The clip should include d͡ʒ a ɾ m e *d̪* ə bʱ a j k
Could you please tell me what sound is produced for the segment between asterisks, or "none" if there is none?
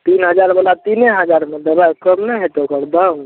d̪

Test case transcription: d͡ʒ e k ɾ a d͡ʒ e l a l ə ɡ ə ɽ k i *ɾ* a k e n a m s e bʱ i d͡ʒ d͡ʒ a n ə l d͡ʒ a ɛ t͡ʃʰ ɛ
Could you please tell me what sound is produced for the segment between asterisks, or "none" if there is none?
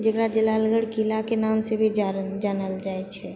l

